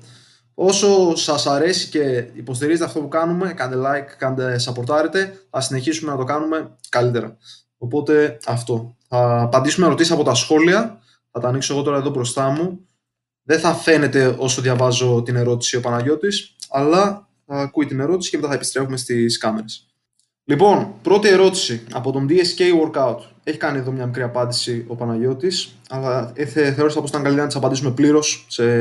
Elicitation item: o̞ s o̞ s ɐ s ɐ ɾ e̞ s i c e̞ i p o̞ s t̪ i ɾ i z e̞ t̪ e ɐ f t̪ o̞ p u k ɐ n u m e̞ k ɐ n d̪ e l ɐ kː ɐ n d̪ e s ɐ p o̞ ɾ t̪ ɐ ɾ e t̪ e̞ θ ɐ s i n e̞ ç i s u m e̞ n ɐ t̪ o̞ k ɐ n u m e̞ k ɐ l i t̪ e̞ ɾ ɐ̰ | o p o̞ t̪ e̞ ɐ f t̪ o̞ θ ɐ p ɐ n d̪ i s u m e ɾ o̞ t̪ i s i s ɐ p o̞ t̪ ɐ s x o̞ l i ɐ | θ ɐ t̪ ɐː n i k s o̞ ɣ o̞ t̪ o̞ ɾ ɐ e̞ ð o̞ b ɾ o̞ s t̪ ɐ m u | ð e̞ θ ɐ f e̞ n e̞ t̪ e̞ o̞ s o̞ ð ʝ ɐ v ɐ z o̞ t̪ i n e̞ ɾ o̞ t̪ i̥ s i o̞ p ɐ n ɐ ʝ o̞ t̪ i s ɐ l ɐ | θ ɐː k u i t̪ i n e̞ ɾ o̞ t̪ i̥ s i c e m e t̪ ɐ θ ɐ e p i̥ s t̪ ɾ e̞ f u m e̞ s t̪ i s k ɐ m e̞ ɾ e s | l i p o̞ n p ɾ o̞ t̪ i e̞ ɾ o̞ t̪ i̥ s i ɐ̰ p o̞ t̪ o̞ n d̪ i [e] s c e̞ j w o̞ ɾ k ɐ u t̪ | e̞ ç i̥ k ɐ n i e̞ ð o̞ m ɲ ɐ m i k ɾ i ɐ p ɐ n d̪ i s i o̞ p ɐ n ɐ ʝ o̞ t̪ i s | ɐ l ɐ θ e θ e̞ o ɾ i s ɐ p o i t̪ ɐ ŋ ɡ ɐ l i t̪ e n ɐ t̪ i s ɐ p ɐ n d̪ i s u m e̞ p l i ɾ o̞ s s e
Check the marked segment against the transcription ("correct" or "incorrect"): correct